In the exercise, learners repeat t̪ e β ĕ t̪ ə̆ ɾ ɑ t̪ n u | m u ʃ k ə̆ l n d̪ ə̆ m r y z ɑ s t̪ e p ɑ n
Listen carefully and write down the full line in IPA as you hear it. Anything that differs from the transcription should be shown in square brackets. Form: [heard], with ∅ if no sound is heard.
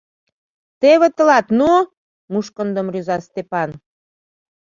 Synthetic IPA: t̪ e β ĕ t̪ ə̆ [l] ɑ t̪ n u | m u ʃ k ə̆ [∅] n d̪ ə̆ m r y z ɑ s t̪ e p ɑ n